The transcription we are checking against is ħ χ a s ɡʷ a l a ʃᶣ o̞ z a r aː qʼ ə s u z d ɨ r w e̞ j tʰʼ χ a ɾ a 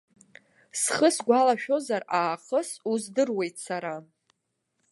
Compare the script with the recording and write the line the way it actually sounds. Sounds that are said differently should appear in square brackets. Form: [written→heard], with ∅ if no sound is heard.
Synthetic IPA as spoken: [ħ→s] χ [a→ə] s ɡʷ a l a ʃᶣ o̞ z a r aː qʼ ə s u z d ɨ r w e̞ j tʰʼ [χ→s] a ɾ a